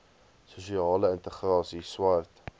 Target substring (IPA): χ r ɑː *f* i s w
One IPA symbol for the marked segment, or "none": s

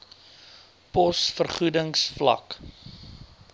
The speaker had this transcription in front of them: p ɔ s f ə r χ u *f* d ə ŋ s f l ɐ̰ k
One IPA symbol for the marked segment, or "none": none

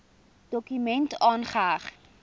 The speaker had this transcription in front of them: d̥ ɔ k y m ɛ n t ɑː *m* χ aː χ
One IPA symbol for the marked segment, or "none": n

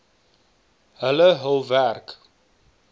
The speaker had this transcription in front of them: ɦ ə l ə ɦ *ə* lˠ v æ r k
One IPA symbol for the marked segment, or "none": ə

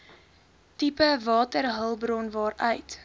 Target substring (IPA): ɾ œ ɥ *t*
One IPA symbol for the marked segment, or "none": t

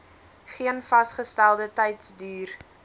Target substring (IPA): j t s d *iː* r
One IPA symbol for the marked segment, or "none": yː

